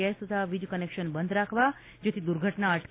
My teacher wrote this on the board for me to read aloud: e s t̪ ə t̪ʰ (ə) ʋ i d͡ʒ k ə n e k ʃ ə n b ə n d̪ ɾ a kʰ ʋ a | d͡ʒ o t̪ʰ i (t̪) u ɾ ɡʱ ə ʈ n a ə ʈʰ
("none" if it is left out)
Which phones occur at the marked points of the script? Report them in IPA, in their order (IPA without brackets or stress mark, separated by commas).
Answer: a, d̪